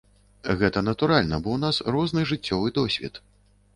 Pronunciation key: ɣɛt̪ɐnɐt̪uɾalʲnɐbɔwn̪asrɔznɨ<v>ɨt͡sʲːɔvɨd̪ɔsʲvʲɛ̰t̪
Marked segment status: incorrect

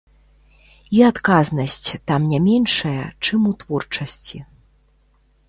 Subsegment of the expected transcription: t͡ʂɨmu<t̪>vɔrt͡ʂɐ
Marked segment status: correct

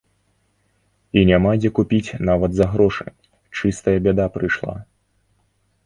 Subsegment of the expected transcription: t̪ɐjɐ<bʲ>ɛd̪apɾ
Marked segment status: correct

